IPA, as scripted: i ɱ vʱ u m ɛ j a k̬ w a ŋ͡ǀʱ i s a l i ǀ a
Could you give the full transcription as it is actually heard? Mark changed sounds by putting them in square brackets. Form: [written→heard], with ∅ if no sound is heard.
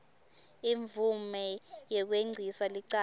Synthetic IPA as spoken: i ɱ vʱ u m ɛ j [a→ɛ] k̬ w [a→e] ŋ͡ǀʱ i s a l i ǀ a

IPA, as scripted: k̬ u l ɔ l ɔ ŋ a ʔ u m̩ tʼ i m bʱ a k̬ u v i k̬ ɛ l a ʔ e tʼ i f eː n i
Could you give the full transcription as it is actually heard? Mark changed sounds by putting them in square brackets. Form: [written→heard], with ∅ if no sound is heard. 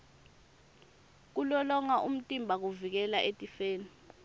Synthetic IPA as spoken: k̬ u l ɔ l ɔ ŋ a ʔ u m̩ tʼ i m bʱ a k̬ u v i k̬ ɛ l a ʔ e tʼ i f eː n i

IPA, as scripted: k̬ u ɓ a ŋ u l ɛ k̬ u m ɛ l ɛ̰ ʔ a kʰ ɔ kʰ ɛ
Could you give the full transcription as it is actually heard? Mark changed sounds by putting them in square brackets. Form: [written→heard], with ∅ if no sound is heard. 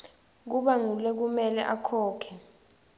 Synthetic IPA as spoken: k̬ u ɓ a ŋ u l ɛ k̬ u m ɛ l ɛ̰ ʔ a kʰ [ɔ→ɔː] kʰ ɛ

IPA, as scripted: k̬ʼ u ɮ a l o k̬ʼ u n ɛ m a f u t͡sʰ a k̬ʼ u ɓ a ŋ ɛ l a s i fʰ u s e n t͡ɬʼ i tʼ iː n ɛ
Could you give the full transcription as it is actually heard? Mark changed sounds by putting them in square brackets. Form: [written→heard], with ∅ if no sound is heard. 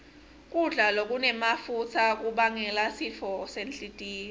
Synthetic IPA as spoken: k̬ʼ u ɮ a l o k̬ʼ u n ɛ m a f u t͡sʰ a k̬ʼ u ɓ a ŋ ɛ l a s i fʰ [u→ɔ] s e n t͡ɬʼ i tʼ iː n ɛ

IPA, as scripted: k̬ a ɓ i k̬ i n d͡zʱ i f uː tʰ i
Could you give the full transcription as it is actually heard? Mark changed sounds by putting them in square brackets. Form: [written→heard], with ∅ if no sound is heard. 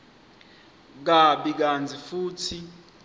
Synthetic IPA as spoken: k̬ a ɓ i k̬ [i→a] n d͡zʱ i f uː tʰ i

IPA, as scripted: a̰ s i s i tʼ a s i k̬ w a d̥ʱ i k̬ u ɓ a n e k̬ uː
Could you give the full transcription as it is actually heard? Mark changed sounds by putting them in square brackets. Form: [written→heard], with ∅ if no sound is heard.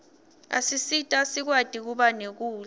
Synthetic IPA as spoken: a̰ s i s i tʼ a s i k̬ w a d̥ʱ i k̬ u ɓ a n e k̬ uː

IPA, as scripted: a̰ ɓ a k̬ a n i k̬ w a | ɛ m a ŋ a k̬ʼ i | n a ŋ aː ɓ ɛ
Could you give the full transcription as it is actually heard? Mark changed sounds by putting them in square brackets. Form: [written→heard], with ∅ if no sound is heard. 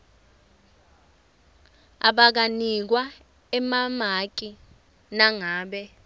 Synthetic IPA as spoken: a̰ ɓ a k̬ a n i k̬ w a | ɛ m a [ŋ→m] a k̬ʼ i | n a ŋ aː ɓ ɛ

